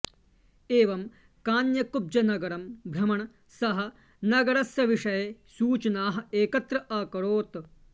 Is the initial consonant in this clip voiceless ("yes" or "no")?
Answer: no